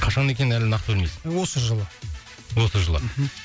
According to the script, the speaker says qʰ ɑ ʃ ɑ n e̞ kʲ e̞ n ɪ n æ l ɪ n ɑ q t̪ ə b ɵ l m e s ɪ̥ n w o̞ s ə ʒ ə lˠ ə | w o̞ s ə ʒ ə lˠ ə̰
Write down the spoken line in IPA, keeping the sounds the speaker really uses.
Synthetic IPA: qʰ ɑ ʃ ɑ n e̞ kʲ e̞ n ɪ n æ l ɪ n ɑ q t̪ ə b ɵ l m e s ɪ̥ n w o̞ s ə ʒ ə lˠ ə | w o̞ s ə ʒ ə lˠ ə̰